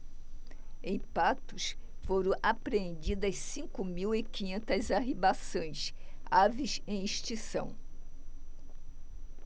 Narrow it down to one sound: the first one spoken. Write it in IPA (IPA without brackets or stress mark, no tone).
ẽ